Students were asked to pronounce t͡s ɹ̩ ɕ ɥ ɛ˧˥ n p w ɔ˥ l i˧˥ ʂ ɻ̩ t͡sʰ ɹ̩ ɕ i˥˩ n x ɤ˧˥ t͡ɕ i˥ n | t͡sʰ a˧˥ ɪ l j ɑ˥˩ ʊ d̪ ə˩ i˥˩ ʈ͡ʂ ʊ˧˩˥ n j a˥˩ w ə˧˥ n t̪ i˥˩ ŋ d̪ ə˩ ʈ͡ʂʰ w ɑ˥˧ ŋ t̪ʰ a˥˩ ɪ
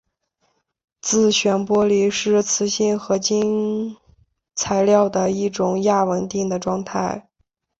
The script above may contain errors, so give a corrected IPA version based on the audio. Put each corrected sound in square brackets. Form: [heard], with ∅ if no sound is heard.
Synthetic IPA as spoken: t͡s ɹ̩ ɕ ɥ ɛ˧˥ n p w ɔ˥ l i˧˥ ʂ ɻ̩ t͡sʰ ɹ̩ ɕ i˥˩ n x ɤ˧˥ t͡ɕ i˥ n | t͡sʰ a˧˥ ɪ l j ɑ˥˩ ʊ d̪ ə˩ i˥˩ ʈ͡ʂ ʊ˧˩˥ [ŋ] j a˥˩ w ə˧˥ n t̪ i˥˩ ŋ d̪ ə˩ [ʈ͡ʂ] w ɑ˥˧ ŋ t̪ʰ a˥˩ ɪ